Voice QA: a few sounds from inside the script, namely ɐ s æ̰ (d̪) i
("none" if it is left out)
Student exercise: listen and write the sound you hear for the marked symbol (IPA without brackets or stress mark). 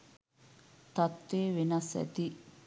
t̪